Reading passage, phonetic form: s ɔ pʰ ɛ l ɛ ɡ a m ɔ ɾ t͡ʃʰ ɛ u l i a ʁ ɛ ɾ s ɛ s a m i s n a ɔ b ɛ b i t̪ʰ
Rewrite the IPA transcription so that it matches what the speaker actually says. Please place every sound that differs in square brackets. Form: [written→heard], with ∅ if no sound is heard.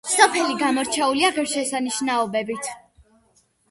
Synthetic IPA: s ɔ pʰ ɛ l [ɛ→i] ɡ a m ɔ ɾ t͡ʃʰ ɛ u l i a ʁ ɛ ɾ [s→ʃ] ɛ s a [m→n] i [s→ʃ] n a ɔ b ɛ b i t̪ʰ